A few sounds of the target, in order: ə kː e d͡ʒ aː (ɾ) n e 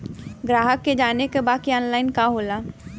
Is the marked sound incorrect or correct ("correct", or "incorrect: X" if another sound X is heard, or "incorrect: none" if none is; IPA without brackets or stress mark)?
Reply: incorrect: none